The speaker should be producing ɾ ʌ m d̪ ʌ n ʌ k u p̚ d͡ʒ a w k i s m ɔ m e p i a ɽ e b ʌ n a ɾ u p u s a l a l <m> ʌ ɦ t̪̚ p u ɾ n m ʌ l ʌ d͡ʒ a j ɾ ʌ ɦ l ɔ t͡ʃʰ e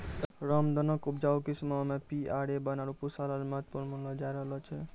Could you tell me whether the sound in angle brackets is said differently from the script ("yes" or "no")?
no